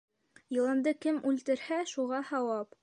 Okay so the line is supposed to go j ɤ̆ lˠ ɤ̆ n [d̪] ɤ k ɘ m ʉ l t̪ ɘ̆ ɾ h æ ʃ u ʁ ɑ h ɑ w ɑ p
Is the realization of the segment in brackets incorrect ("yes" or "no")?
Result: no